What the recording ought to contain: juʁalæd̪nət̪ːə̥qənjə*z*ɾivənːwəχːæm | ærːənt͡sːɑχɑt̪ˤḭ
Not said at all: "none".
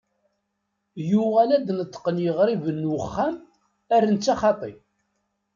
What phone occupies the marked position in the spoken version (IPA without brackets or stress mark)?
ʁ